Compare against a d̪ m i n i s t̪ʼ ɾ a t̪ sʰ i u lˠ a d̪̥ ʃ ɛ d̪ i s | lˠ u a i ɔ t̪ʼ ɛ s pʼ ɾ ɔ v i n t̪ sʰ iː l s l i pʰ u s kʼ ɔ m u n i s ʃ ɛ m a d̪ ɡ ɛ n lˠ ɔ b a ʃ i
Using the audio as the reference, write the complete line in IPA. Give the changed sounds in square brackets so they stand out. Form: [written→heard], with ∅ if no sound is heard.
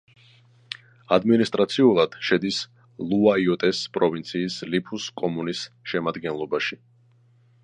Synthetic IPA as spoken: a d̪ m i n i s t̪ʼ ɾ a t̪ sʰ i u lˠ a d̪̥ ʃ ɛ d̪ i s | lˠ u a i ɔ t̪ʼ ɛ s pʼ ɾ ɔ v i n t̪ sʰ iː [l→∅] s l i pʰ u s kʼ ɔ m u n i s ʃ ɛ m a d̪ ɡ ɛ n lˠ ɔ b a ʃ i